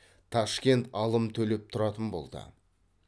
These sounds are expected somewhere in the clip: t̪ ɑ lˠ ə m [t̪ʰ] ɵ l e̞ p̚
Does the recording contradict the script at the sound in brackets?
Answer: no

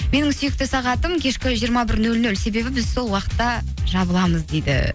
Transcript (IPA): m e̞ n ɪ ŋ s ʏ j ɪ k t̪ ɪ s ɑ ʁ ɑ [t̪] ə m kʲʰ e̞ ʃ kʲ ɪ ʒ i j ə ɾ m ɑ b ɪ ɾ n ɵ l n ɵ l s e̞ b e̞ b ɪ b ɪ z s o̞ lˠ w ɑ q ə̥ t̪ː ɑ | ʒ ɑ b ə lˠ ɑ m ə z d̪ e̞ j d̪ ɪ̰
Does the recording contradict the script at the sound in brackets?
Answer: no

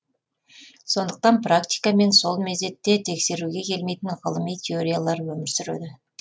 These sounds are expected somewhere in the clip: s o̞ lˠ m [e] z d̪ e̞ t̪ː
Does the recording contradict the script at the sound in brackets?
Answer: no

